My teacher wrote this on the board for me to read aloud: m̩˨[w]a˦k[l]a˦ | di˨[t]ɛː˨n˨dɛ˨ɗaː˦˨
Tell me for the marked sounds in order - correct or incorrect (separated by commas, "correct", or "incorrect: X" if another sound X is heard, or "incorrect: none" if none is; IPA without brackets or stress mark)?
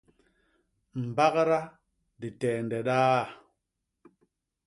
incorrect: b, incorrect: ɾ, correct